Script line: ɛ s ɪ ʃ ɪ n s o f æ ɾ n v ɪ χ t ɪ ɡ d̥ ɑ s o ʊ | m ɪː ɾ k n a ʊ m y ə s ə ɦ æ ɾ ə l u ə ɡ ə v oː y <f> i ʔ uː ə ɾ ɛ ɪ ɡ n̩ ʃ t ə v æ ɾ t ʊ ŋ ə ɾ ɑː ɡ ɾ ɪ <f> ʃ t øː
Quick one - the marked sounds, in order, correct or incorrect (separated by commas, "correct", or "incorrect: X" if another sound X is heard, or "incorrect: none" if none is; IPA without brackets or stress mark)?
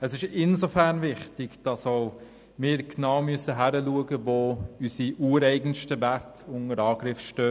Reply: incorrect: s, correct